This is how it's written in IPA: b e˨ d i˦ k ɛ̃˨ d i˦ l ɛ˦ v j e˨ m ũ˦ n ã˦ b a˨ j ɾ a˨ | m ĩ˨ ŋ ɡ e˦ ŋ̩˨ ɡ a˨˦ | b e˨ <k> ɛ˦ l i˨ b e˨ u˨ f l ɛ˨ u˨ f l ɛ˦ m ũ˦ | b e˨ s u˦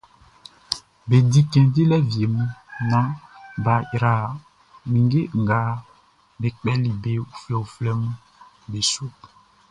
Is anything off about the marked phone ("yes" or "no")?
yes